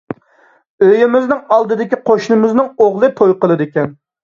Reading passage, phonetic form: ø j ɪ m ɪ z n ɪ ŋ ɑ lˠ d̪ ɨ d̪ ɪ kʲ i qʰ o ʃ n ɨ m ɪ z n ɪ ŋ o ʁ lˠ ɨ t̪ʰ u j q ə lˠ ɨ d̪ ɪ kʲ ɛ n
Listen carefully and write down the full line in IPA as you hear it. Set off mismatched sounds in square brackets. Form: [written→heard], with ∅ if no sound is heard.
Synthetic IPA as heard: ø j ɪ m ɪ z n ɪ ŋ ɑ lˠ d̪ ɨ d̪ ɪ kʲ i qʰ o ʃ n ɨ m ɪ z n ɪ ŋ o ʁ lˠ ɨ t̪ʰ [u→o] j q ə lˠ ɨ d̪ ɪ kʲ ɛ n